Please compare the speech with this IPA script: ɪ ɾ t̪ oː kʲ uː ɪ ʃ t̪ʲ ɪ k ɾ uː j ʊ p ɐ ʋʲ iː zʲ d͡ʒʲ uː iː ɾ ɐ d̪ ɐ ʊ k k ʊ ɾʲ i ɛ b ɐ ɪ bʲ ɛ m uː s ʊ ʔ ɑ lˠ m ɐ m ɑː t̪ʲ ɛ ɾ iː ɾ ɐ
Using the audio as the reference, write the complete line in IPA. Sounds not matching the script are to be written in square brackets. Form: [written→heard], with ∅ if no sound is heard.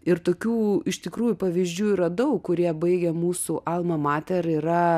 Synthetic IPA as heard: ɪ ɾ t̪ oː kʲ uː ɪ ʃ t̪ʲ ɪ k ɾ uː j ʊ p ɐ ʋʲ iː zʲ d͡ʒʲ uː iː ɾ ɐ d̪ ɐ ʊ k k ʊ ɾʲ i ɛ b ɐ ɪ [bʲ→ɡʲ] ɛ m uː s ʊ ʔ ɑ lˠ m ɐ m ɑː t̪ʲ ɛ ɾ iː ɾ ɐ